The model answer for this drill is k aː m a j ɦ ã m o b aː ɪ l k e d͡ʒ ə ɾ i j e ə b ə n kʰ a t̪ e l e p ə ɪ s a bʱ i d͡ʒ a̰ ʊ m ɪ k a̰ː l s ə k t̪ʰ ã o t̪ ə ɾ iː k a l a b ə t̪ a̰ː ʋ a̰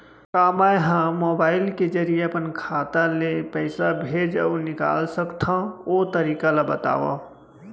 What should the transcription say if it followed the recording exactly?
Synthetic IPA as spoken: k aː m a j ɦ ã m o b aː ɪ l k e d͡ʒ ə ɾ i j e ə p ə n kʰ a t̪ a l e p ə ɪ s a bʱ e d͡ʒ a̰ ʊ n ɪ k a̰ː l s ə k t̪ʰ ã o t̪ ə ɾ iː k a l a b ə t̪ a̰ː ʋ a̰